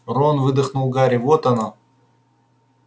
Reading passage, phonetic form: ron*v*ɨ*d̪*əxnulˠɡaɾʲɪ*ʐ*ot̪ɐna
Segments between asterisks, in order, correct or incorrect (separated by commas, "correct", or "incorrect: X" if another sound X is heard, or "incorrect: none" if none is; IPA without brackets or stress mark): correct, correct, incorrect: v